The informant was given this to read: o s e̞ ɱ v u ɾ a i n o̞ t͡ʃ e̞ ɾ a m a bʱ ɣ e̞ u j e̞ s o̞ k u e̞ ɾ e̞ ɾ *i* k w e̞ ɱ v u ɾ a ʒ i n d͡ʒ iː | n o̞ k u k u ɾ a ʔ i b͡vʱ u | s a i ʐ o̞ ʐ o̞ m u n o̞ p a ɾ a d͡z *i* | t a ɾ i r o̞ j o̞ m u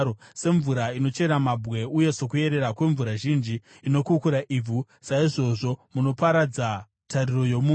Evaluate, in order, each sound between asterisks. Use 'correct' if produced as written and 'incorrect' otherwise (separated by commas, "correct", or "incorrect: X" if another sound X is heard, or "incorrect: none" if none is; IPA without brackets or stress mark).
incorrect: a, incorrect: a